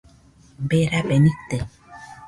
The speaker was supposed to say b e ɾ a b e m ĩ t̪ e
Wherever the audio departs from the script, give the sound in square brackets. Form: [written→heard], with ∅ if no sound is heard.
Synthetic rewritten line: b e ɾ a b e [m→n] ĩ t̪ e